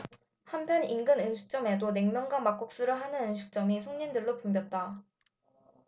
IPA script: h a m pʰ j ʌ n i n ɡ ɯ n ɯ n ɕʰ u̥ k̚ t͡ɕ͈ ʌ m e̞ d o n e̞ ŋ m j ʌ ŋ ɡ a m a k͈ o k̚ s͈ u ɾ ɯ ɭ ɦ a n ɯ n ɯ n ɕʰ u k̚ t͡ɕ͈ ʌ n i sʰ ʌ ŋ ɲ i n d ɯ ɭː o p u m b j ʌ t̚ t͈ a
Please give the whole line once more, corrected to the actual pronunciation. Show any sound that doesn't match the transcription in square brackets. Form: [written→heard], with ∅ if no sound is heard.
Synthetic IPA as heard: h a m pʰ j ʌ n i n ɡ ɯ n ɯ n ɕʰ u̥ k̚ t͡ɕ͈ ʌ m e̞ d o n e̞ ŋ m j ʌ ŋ ɡ a m a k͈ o k̚ s͈ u ɾ ɯ ɭ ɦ a n ɯ n ɯ n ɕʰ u k̚ t͡ɕ͈ ʌ [n→m] i sʰ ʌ ŋ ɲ i n d ɯ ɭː o p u m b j ʌ t̚ t͈ a